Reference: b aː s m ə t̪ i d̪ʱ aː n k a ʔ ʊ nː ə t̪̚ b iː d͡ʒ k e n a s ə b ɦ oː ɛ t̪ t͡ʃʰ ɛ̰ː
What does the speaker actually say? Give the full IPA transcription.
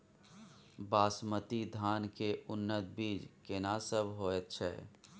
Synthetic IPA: b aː s m ə t̪ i d̪ʱ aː n k e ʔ ʊ nː ə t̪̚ b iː d͡ʒ k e n a s ə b ɦ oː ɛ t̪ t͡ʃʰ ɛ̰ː